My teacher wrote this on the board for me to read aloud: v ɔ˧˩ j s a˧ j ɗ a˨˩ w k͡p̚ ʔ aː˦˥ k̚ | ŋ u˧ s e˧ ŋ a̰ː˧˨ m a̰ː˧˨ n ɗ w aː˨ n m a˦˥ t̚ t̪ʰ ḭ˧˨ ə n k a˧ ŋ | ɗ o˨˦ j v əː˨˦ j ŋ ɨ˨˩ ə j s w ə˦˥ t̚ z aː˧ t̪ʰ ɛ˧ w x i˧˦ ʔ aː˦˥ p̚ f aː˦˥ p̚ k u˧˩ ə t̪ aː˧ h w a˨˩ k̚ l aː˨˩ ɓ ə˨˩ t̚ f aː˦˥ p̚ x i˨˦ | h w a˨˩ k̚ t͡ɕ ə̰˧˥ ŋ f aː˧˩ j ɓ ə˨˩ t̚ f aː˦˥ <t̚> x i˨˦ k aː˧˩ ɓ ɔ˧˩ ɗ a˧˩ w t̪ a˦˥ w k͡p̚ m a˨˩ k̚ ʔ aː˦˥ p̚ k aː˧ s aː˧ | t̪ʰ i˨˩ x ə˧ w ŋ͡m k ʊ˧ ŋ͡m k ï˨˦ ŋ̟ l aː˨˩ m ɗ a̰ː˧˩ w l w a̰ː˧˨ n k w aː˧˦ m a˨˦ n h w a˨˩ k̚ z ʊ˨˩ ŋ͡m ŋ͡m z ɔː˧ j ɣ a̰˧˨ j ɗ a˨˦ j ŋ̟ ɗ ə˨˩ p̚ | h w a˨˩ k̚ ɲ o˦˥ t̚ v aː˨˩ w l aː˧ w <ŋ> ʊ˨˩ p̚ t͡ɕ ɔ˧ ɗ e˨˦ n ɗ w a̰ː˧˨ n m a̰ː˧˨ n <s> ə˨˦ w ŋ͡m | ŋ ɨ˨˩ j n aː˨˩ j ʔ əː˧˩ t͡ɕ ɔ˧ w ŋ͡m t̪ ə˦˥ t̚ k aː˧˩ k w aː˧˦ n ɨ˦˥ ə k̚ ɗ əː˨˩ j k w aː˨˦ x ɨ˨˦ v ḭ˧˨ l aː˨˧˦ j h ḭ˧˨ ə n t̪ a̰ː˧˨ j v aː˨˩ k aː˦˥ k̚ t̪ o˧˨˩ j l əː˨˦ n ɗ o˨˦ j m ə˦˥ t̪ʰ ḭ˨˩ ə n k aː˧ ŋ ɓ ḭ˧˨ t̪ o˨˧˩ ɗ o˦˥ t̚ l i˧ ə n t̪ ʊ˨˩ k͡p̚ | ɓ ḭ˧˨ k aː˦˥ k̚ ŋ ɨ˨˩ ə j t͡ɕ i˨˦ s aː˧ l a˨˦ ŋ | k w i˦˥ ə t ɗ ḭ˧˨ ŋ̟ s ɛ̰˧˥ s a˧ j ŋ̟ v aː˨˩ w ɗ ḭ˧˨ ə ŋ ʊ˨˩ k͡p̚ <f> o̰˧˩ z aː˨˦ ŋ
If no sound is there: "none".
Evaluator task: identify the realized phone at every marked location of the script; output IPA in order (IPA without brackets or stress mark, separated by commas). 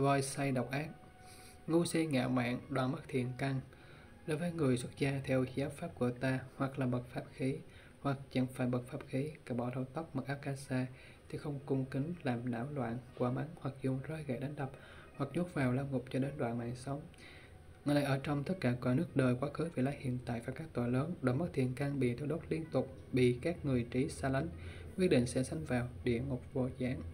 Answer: p̚, ŋ, s, v